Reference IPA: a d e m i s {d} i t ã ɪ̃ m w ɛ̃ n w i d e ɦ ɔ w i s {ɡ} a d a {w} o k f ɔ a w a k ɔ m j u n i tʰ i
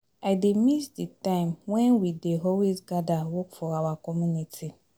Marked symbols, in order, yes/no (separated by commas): yes, yes, yes